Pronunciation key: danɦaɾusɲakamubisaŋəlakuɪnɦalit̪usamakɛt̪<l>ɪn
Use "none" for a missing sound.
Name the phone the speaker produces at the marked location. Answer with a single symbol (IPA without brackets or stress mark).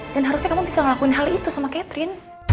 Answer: ɾ